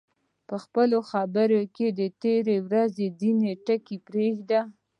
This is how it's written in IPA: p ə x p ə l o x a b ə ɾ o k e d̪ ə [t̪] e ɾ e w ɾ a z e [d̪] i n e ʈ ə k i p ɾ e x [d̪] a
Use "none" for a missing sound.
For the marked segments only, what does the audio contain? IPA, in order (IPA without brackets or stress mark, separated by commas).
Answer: t̪, d̪, d̪